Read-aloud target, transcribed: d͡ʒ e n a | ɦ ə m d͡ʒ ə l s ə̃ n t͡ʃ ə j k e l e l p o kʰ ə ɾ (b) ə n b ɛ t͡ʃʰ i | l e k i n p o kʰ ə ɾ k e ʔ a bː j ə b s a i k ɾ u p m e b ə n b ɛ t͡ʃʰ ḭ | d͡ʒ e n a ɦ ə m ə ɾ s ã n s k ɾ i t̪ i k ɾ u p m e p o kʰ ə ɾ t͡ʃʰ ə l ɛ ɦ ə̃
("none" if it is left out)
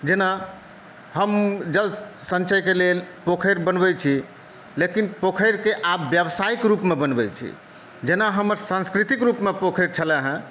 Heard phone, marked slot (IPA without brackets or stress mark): b